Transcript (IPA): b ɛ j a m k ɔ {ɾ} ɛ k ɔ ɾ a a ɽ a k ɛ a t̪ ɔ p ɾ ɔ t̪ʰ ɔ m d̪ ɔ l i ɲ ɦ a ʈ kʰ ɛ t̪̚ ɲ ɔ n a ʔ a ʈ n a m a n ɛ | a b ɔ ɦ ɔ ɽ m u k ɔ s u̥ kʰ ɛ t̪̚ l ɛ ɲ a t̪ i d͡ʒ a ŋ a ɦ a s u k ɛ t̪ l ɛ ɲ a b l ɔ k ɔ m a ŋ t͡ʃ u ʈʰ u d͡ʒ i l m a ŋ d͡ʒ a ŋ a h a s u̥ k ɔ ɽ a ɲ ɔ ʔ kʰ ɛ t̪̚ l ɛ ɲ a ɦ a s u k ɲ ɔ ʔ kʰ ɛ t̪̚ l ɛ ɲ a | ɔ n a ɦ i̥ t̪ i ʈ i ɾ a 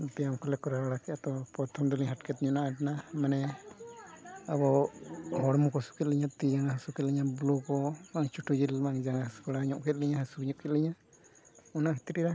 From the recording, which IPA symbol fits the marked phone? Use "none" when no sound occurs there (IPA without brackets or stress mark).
l